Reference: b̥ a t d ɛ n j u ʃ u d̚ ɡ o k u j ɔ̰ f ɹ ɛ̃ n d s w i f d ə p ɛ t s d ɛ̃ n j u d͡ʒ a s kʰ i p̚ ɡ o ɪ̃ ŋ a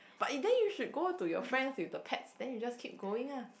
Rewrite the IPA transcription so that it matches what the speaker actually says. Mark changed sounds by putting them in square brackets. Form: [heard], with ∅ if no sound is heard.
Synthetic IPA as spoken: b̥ a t d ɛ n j u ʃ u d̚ ɡ o [t] u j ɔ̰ f ɹ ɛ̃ n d s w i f d ə [pʰ] ɛ t s d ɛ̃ n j u d͡ʒ a s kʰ i p̚ ɡ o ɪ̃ ŋ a